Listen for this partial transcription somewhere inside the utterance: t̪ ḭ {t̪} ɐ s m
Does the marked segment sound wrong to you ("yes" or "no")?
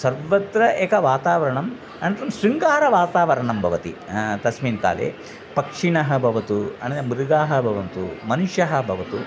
no